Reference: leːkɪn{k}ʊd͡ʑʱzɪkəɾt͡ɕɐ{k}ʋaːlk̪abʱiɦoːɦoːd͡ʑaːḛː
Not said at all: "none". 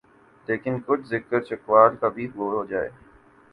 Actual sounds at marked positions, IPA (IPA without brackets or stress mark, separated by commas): k, k